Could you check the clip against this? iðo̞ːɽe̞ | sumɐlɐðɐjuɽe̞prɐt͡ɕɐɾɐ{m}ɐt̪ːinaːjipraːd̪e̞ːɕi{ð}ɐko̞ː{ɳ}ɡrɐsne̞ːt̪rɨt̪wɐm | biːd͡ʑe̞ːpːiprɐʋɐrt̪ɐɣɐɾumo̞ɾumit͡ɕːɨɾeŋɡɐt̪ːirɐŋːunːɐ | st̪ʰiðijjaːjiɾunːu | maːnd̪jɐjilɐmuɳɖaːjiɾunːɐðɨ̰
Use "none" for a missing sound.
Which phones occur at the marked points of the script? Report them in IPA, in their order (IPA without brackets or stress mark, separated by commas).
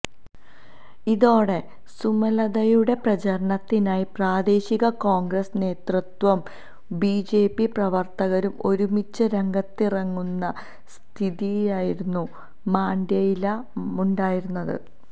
ɳ, ɣ, ŋ